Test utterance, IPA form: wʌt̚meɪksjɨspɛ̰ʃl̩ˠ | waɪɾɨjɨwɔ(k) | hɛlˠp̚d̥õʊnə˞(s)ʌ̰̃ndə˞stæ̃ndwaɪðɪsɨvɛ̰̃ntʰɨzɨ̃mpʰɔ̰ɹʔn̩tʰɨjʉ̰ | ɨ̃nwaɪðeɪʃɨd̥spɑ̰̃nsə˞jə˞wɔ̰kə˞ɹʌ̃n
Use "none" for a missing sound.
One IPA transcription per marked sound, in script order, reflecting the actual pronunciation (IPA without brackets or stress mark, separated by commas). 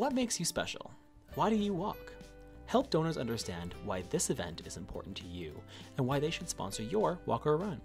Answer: k, z